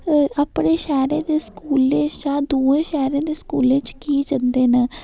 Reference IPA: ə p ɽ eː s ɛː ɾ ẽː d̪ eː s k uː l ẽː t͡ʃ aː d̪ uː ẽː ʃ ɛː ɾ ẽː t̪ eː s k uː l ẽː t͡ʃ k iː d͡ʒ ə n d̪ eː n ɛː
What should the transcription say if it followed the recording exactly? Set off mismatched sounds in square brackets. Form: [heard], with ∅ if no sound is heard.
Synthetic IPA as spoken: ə p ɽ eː [ʃ] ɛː ɾ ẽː d̪ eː s k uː l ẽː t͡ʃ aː d̪ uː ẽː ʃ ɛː ɾ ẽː [d̪] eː s k uː l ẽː t͡ʃ k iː d͡ʒ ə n d̪ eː n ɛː